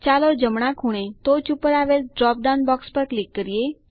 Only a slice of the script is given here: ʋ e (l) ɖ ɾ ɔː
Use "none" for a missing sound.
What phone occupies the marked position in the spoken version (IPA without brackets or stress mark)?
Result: l